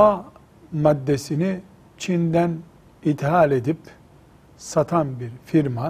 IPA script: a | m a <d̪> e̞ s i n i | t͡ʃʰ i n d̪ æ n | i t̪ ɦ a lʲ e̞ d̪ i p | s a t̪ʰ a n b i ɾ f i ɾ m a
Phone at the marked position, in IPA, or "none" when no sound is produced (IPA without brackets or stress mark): d̪ː